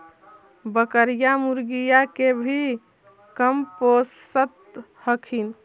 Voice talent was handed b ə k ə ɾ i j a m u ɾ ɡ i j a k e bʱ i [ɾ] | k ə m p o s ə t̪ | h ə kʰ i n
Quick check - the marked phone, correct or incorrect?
incorrect